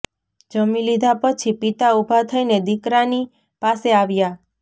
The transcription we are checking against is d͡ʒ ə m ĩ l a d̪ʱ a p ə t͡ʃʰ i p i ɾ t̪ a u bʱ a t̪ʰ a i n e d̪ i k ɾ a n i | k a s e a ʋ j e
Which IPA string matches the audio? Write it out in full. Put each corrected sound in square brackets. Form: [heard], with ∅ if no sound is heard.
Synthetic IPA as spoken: d͡ʒ ə m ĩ l [i] d̪ʱ a p ə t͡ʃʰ i p i [∅] t̪ a u bʱ a t̪ʰ [ə] i n e d̪ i k ɾ a n i | [p] a s e a ʋ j [a]